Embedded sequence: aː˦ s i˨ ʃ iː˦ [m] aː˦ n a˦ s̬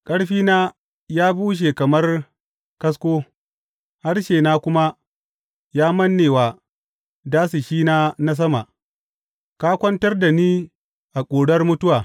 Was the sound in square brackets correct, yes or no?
no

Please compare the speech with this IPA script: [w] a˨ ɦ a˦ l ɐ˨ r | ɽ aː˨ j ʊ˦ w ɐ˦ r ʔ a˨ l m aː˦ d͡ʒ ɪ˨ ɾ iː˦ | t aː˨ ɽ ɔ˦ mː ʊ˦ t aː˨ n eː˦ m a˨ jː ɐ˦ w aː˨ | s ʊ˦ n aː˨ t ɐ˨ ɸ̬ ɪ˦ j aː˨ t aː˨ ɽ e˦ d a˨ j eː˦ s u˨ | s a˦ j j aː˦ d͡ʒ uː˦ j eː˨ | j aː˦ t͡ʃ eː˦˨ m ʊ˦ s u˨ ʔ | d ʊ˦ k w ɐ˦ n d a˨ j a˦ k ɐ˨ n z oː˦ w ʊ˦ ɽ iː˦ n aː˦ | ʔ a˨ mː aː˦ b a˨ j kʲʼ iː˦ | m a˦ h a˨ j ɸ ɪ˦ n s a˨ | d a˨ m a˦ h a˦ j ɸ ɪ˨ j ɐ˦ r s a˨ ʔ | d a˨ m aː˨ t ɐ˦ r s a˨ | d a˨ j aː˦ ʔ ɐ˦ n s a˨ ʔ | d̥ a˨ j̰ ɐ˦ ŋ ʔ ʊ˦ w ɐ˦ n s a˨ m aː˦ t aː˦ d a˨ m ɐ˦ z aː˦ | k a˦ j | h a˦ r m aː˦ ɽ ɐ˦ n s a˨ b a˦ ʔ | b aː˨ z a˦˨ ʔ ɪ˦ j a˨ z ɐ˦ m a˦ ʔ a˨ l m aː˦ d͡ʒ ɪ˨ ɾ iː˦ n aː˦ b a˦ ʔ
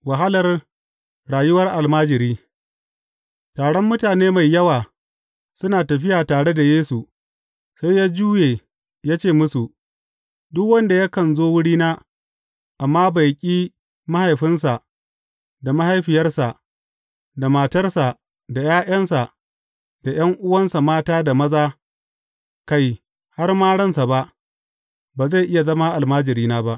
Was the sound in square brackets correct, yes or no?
yes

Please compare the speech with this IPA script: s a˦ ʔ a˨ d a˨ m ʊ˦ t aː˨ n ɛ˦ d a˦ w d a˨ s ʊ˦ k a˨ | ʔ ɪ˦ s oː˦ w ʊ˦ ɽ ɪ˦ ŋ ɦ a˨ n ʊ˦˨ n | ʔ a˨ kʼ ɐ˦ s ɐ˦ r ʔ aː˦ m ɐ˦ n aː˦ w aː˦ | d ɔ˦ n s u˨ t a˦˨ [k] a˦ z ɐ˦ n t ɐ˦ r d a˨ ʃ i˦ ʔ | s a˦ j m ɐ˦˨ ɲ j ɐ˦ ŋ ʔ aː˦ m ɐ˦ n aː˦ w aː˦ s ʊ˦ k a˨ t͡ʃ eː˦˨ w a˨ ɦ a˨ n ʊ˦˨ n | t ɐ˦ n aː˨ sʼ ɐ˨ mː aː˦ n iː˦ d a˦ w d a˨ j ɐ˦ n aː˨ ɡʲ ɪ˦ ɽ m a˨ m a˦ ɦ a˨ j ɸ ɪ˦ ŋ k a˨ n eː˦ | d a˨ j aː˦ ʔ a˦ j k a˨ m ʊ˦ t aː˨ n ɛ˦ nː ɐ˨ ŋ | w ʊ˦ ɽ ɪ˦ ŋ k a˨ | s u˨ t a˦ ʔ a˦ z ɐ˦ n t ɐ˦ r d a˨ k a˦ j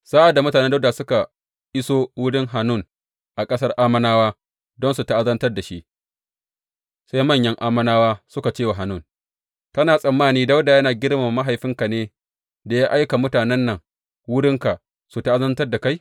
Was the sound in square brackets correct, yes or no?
no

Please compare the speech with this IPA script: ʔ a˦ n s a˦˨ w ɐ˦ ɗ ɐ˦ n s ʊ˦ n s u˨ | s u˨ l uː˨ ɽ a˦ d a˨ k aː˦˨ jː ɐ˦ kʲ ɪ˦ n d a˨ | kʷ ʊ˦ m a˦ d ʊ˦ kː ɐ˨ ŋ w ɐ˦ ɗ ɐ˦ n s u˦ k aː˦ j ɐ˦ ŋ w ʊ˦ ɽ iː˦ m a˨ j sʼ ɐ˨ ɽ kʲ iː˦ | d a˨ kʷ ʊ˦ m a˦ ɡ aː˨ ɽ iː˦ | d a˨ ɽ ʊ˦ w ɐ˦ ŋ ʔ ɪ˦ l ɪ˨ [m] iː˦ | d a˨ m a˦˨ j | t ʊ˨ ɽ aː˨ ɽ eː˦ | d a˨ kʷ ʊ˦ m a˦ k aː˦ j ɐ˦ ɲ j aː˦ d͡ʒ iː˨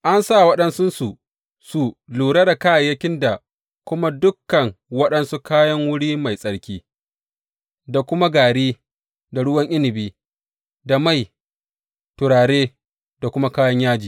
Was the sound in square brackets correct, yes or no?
no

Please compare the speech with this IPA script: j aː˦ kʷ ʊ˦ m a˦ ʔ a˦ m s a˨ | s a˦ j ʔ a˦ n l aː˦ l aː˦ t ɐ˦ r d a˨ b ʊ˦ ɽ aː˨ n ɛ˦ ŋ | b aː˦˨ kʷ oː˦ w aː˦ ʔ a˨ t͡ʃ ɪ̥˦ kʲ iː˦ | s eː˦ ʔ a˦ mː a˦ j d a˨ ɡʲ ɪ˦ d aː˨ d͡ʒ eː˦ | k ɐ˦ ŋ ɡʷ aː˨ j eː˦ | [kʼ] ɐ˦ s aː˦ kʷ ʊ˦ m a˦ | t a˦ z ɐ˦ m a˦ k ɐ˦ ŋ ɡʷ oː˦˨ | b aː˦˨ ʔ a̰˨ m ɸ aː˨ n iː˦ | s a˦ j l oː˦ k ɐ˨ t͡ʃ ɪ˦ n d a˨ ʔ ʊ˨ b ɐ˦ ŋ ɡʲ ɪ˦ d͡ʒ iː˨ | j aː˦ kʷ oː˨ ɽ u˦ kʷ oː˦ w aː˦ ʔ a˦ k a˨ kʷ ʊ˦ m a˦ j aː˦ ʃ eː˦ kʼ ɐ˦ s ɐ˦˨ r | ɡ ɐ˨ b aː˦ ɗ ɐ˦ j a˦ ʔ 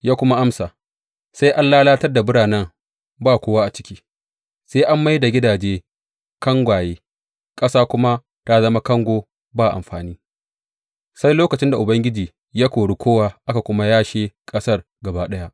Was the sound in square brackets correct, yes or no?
yes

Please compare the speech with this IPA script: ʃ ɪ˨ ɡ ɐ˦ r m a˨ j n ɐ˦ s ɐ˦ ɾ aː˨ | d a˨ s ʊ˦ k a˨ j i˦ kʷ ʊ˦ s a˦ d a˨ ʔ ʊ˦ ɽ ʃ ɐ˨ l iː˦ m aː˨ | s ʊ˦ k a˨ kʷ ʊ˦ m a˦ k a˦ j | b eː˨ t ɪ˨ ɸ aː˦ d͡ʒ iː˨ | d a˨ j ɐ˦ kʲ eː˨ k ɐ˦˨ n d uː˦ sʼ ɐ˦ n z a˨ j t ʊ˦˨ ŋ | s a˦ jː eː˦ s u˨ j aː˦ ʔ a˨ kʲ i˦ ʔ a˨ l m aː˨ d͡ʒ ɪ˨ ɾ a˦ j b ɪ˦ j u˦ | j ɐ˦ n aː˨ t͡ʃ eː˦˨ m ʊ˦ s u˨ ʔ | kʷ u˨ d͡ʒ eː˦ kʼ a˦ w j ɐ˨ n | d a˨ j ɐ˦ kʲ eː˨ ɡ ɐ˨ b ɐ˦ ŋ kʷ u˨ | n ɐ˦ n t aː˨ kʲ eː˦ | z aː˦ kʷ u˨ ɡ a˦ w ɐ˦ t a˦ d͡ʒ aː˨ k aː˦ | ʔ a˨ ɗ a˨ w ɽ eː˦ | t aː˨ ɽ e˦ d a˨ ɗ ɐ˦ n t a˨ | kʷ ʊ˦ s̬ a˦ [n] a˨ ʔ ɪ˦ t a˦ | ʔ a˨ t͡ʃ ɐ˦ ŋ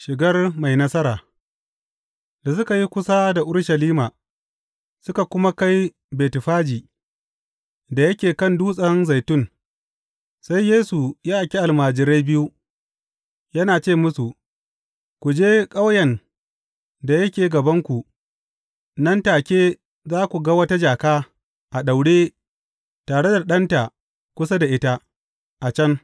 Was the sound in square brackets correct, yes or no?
no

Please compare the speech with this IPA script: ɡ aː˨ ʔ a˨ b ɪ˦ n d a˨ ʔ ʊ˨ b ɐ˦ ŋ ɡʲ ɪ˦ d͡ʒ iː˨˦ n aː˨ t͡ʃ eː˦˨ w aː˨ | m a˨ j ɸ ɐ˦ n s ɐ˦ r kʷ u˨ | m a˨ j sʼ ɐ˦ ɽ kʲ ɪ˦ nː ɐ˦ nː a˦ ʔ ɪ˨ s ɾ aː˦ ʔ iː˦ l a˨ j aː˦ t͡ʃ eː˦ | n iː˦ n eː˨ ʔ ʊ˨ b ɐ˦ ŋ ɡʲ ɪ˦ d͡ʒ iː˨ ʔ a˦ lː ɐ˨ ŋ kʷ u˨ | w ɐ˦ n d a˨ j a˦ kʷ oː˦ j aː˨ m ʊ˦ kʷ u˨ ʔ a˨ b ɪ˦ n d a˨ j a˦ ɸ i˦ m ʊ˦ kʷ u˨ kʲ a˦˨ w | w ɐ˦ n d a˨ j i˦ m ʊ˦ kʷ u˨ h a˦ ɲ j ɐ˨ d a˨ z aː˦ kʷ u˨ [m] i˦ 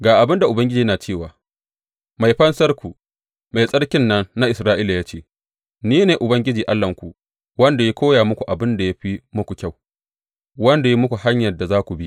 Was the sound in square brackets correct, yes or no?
no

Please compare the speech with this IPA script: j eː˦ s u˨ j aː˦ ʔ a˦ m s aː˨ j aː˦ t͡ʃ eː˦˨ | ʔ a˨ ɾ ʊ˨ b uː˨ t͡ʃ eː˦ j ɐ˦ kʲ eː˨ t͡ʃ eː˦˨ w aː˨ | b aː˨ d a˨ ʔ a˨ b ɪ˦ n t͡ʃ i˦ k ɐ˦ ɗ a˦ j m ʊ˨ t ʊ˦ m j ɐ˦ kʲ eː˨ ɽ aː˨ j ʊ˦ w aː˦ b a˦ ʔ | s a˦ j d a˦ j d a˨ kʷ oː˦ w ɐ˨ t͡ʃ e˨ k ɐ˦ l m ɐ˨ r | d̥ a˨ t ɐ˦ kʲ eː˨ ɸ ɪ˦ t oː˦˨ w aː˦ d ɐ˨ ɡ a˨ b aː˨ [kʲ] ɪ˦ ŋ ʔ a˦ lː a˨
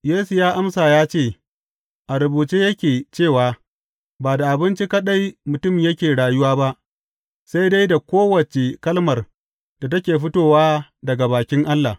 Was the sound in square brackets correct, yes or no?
yes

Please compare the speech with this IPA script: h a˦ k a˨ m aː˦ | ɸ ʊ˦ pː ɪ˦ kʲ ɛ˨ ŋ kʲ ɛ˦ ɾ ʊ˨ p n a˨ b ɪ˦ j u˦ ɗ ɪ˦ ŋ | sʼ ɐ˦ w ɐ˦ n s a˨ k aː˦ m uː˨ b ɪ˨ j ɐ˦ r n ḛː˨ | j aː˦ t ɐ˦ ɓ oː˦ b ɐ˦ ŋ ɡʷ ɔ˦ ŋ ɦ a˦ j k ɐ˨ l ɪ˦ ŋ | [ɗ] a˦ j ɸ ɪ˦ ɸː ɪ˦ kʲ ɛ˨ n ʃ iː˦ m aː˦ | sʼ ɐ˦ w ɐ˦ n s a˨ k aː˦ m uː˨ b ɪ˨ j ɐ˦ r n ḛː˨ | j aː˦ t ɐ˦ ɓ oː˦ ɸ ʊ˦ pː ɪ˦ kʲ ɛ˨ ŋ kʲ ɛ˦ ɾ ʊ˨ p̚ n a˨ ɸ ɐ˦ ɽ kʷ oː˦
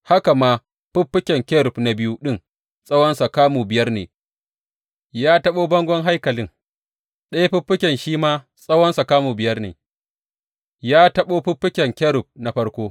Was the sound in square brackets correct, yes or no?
yes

